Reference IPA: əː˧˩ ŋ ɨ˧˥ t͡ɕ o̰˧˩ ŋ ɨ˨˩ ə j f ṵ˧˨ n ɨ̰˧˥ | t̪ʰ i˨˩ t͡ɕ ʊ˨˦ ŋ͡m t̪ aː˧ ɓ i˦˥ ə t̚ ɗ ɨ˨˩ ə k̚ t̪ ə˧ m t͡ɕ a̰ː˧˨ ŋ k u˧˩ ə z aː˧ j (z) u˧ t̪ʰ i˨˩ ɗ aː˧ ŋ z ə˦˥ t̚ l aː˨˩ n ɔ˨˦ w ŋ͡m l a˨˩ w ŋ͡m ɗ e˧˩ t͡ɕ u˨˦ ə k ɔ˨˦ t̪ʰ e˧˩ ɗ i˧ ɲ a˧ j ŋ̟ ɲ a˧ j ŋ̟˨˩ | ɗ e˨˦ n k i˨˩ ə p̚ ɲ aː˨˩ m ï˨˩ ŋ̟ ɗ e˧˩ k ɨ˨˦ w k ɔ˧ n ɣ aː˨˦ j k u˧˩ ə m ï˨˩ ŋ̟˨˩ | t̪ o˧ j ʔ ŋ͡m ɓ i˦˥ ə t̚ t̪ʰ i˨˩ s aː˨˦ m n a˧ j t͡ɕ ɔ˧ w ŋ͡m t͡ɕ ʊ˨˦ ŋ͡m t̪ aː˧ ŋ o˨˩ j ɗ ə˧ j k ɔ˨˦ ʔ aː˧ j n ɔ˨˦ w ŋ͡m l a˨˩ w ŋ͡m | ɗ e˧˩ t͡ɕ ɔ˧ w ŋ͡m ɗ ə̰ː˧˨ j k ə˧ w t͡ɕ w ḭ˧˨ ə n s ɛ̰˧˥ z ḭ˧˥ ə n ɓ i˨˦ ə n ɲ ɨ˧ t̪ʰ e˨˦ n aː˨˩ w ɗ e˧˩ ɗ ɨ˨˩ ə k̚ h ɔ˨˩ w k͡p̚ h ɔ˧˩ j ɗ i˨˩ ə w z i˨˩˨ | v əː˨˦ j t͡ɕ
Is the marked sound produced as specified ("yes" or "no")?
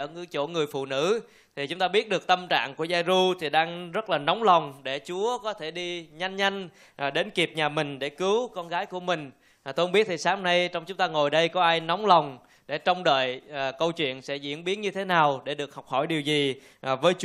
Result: yes